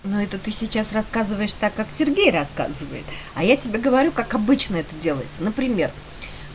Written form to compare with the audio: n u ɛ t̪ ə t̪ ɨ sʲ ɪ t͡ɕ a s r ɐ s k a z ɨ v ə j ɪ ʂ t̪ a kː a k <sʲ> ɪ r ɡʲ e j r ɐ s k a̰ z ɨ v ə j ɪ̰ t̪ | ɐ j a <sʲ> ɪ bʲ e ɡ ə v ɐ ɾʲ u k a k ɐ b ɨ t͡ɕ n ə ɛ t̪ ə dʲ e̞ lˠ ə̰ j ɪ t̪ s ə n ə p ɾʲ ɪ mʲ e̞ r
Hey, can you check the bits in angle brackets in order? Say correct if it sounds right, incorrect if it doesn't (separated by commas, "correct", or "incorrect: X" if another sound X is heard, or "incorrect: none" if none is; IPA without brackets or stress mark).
correct, incorrect: tʲ